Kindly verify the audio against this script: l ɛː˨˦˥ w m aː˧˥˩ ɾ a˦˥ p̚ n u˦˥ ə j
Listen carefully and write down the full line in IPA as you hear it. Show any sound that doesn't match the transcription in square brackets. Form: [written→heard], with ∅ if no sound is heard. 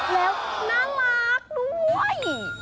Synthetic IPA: l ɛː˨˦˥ w [m→n] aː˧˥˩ [ɾ→l] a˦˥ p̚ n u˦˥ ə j